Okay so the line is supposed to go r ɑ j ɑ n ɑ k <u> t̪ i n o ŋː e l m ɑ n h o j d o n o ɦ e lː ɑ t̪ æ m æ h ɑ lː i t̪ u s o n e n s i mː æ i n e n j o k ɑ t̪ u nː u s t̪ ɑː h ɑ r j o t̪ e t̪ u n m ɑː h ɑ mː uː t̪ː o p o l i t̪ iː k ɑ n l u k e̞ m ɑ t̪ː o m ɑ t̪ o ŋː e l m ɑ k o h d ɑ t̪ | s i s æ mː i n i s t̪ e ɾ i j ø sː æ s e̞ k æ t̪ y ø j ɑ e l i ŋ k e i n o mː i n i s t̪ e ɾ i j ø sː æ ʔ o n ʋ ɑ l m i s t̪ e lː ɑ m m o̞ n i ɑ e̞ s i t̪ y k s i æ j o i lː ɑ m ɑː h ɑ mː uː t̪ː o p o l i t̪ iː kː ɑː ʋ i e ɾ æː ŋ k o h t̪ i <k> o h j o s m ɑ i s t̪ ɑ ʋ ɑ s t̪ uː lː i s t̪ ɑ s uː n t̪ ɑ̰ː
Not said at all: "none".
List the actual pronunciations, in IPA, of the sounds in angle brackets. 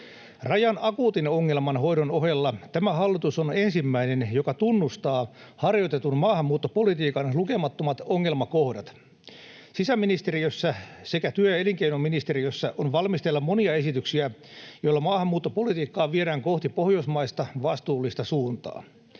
uː, p

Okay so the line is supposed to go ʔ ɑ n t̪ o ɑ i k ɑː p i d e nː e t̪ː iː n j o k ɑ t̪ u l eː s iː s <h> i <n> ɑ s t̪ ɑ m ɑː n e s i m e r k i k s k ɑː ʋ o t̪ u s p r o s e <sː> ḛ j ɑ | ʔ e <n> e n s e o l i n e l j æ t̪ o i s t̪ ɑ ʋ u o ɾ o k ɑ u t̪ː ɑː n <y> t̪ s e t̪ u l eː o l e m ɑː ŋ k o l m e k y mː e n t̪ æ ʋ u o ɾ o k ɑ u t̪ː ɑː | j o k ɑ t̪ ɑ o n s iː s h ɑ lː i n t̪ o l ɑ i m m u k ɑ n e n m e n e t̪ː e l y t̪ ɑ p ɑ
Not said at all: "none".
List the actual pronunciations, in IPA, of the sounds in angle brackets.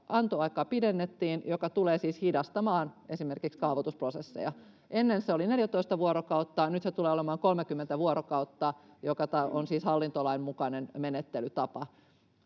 h, d, sː, nː, y

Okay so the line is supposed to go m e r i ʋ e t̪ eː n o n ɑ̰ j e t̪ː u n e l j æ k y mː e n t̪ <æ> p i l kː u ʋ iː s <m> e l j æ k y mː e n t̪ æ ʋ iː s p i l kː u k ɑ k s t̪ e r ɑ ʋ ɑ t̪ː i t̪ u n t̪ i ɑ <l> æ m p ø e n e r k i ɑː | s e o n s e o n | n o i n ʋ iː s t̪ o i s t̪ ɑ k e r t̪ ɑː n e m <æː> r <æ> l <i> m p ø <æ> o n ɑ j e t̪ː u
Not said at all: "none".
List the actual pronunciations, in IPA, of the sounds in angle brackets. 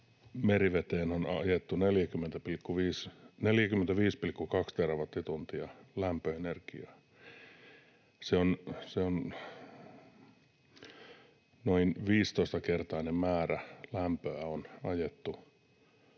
æ, n, l, æː, æ, æ, æ

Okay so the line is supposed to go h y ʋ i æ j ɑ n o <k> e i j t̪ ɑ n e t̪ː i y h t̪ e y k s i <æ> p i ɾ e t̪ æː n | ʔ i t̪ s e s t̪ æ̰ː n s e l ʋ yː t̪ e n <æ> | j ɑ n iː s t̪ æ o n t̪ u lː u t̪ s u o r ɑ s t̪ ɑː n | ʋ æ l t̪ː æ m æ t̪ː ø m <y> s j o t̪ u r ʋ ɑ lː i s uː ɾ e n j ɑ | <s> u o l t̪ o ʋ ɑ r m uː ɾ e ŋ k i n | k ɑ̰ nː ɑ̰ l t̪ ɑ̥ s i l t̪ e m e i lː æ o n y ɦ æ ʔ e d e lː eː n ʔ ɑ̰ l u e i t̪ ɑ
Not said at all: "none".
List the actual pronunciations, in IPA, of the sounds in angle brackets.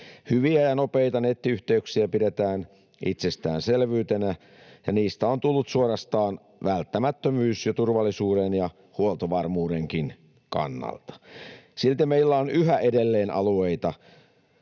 p, æ, æ, yː, h

